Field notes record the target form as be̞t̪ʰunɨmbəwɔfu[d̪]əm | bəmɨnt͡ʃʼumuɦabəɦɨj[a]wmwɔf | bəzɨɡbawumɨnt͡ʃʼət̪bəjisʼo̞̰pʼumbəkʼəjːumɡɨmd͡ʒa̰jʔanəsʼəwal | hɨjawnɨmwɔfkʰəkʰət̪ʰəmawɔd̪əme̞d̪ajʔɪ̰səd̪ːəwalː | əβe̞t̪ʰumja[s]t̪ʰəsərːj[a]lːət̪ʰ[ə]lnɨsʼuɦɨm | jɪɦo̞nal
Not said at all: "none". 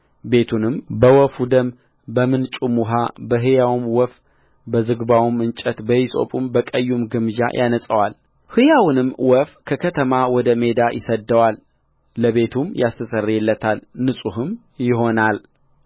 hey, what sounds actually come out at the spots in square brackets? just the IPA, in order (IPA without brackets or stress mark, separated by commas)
d̪, a, s, ɛ, a